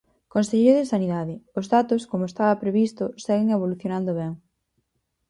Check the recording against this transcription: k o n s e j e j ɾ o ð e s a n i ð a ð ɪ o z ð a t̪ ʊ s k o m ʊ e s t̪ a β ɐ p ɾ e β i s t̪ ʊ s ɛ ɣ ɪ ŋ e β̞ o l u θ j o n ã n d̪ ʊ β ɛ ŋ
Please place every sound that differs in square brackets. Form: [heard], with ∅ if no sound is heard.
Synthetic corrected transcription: k o n s e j e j ɾ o ð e s a n i ð a ð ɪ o z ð a t̪ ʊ s k o m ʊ e s t̪ a β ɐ p ɾ e β i s t̪ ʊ s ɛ ɣ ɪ ŋ e β̞ o l u θ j o n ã n d̪ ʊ β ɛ ŋ